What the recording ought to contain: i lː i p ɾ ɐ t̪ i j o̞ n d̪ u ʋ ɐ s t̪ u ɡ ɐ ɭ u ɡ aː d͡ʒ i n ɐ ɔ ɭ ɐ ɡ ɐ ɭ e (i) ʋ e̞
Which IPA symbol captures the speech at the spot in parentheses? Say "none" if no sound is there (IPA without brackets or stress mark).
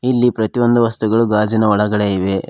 i